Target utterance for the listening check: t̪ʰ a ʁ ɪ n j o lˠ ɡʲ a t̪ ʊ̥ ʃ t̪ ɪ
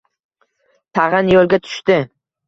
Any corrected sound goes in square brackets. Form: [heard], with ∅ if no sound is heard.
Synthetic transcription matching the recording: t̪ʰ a ʁ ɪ n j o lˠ ɡʲ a [t̪ʰ] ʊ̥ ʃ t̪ ɪ